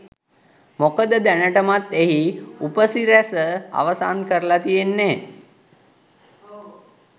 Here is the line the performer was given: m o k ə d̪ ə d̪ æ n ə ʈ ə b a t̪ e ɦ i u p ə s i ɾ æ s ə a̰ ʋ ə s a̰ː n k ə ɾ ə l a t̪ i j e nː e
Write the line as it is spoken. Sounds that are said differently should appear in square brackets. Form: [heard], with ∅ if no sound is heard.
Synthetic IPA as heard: m o k ə d̪ ə d̪ æ n ə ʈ ə [m] a t̪ e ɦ i u p ə s i ɾ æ s ə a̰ ʋ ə s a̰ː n k ə ɾ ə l a t̪ i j e nː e